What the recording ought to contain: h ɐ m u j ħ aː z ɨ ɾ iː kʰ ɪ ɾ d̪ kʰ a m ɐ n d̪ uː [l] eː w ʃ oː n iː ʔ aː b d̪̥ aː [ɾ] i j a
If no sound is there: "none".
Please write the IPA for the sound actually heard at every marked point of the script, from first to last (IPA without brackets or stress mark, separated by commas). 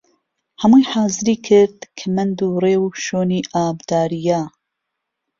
r, ɾ